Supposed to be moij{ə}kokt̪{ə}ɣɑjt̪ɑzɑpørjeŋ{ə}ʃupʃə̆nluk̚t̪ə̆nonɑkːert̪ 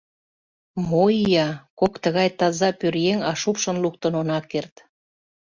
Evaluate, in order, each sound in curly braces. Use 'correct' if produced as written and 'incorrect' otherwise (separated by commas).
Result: incorrect, correct, incorrect